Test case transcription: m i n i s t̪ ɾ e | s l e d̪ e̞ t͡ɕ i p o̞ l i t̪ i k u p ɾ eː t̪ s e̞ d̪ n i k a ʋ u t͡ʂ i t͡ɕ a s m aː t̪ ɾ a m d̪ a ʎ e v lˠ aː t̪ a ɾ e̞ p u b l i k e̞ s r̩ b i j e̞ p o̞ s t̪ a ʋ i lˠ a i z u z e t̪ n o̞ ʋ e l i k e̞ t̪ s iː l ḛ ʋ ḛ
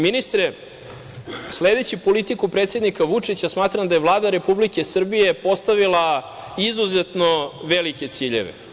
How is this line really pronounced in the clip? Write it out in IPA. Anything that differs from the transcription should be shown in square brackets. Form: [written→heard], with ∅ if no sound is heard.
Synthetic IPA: m i n i s t̪ ɾ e | s l e d̪ e̞ t͡ɕ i p o̞ l i t̪ i k u p ɾ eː t̪ s e̞ d̪ n i k a ʋ u t͡ʂ i t͡ɕ a s m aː t̪ ɾ a m d̪ a [ʎ→j] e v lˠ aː [t̪→d̪] a ɾ e̞ p u b l i k e̞ s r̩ b i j e̞ p o̞ s t̪ a ʋ i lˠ a i z u z e t̪ n o̞ ʋ e l i k e̞ t̪ s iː [l→ʎ] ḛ ʋ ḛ